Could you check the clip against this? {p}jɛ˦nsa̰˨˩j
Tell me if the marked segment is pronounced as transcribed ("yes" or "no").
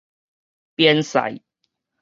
yes